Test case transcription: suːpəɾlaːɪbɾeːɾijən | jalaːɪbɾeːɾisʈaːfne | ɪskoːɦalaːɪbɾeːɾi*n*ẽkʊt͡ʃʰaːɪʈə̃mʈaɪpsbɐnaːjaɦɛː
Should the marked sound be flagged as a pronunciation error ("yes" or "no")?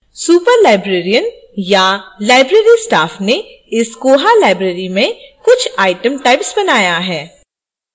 yes